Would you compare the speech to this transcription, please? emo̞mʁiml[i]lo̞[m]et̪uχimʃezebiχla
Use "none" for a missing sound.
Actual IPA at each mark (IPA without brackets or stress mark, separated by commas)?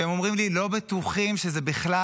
i, b